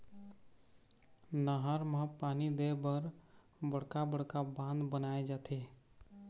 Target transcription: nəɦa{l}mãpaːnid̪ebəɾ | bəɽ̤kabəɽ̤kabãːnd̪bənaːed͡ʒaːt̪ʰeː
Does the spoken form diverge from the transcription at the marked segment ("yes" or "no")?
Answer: yes